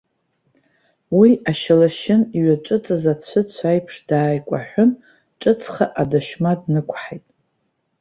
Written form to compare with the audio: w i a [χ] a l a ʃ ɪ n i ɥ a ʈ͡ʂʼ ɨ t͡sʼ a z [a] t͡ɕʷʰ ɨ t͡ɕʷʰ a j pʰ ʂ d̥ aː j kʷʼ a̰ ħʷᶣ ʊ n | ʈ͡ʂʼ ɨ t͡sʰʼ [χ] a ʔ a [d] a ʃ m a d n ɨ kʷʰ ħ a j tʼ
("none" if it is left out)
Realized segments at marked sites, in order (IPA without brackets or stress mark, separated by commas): ʃ, a, χ, d